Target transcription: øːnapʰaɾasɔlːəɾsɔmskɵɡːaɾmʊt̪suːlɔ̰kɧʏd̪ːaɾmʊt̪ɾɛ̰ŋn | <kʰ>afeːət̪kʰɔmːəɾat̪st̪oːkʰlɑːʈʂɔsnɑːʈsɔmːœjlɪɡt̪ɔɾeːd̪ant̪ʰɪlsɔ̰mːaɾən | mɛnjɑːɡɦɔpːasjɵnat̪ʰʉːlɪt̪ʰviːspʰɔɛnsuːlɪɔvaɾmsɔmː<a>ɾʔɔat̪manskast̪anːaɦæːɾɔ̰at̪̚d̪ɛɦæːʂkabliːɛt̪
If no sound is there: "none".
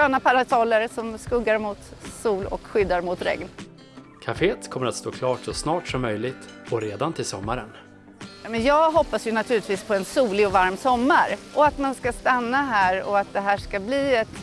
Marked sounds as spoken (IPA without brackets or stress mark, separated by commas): kʰ, a